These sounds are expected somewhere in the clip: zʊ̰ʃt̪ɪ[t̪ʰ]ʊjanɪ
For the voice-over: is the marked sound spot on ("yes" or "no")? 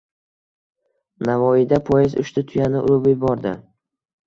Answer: yes